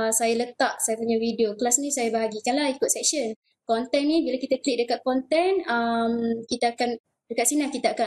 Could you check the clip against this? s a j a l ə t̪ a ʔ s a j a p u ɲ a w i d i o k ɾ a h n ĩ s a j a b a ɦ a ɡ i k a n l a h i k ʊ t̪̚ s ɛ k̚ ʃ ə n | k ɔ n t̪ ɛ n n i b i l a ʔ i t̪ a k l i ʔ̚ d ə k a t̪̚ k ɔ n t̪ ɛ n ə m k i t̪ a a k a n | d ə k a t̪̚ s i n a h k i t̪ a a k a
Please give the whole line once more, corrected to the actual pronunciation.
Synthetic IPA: s a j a l ə t̪ a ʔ s a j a p u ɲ a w i d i o k l a s n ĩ s a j a b a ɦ a ɡ i k a n l a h i k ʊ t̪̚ s ɛ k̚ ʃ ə n | k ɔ n t̪ ɛ n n i b i l a k i t̪ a k l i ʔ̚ d ə k a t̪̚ k ɔ n t̪ ɛ n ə m k i t̪ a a k a n | d ə k a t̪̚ s i n a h k i t̪ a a k a

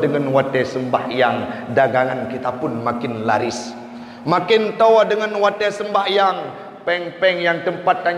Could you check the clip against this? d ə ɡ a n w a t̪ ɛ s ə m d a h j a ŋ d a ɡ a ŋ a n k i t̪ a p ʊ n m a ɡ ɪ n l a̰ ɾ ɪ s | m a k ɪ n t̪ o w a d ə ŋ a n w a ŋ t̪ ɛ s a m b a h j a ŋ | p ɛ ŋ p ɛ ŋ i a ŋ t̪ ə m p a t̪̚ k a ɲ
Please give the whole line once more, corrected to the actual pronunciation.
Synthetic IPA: d ə ŋ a n w a t̪ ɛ s ə m b a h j a ŋ d a ɡ a ŋ a n k i t̪ a p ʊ n m a k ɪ n l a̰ ɾ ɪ s | m a k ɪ n t̪ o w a d ə ŋ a n w a t̪ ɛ s ə m b a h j a ŋ | p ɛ ŋ p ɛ ŋ j a ŋ t̪ ə m p a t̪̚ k a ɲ

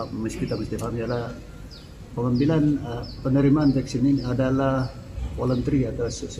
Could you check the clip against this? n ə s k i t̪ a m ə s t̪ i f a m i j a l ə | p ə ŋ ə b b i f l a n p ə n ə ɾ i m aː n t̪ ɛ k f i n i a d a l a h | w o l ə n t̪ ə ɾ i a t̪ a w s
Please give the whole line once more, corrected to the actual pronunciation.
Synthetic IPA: m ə s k i t̪ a m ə s t̪ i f a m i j a l a | p ə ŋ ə m b i l a n p ə n ə ɾ i m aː n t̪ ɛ k s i n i a d a l a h | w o l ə n t̪ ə ɾ i a t̪ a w s

